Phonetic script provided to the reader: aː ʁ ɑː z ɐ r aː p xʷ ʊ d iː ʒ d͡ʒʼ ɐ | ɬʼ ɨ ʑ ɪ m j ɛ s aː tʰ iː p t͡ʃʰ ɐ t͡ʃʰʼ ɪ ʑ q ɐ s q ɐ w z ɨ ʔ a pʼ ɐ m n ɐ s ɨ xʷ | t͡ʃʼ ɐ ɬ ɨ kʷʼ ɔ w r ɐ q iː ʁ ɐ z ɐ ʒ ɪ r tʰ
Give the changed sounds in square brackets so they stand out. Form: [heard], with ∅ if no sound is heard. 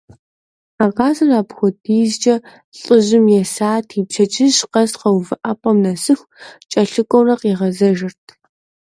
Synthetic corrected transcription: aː ʁ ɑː z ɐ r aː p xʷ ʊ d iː [z] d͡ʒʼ ɐ | ɬʼ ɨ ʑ ɪ m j ɛ s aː tʰ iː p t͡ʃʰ ɐ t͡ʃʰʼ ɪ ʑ q ɐ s q ɐ w [v] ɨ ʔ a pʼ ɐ m n ɐ s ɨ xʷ | t͡ʃʼ ɐ ɬ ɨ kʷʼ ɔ w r ɐ q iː ʁ ɐ z ɐ ʒ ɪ r tʰ